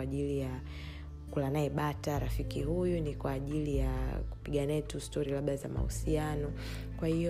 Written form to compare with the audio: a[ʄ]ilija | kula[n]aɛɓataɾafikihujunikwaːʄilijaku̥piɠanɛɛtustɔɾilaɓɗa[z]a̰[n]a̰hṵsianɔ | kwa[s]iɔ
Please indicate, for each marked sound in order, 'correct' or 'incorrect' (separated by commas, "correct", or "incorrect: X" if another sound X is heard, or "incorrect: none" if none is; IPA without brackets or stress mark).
correct, correct, correct, incorrect: m, incorrect: h